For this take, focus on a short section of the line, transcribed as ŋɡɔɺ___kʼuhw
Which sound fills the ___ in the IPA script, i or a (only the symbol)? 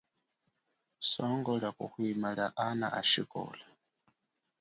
a